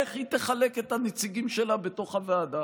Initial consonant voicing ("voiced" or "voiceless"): voiceless